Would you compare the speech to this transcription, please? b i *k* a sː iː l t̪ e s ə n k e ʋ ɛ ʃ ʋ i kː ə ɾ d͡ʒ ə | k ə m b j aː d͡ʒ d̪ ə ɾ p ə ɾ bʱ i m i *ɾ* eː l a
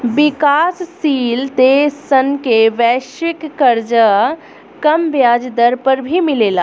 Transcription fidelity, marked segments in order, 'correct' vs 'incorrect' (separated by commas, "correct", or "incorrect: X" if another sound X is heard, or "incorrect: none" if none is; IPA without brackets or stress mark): correct, incorrect: l